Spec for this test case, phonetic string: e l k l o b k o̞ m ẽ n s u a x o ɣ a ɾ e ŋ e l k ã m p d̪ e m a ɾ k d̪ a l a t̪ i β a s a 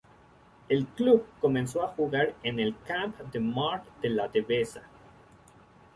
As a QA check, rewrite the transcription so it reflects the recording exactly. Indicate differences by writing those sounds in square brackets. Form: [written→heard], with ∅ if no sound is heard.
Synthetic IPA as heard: e l k l [o→u] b k o̞ m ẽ n s [u→o] a x [o→u] ɣ a ɾ e [ŋ→n] e l k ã m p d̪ e m a ɾ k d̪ [a→e] l a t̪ [i→e] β [a→e] s a